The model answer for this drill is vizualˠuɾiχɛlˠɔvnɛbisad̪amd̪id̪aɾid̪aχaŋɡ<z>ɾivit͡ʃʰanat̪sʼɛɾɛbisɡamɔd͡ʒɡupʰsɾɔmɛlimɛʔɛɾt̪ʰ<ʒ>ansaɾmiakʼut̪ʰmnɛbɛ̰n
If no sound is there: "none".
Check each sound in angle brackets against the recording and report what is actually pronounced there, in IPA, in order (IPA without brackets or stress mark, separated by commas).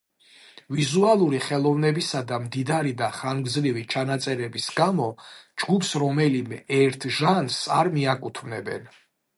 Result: z, ʒ